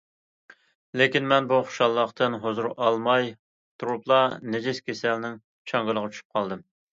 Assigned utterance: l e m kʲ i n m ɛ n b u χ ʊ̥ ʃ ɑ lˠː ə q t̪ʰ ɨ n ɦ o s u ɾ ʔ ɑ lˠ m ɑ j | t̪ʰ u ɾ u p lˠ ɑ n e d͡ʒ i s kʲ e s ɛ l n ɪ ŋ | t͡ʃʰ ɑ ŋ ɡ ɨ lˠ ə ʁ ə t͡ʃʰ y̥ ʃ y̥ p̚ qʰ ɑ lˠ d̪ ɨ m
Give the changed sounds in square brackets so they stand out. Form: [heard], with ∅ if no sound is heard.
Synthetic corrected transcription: l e [∅] kʲ i n m ɛ n b u χ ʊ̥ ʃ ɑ lˠː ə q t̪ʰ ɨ n ɦ o [z] u ɾ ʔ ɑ lˠ m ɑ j | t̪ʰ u ɾ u p lˠ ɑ n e d͡ʒ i s kʲ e s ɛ l n ɪ ŋ | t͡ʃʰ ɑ ŋ ɡ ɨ lˠ ə ʁ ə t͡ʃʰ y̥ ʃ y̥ p̚ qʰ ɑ lˠ d̪ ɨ m